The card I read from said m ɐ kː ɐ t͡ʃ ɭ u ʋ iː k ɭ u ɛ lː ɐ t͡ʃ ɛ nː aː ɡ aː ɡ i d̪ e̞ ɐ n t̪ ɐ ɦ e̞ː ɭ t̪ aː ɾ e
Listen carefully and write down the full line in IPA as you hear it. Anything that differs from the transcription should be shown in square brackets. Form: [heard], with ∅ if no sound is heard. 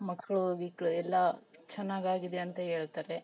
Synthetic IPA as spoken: m ɐ kː ɐ [∅] ɭ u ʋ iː k ɭ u ɛ lː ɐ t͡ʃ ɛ nː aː ɡ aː ɡ i d̪ e̞ ɐ n t̪ ɐ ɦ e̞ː ɭ t̪ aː ɾ e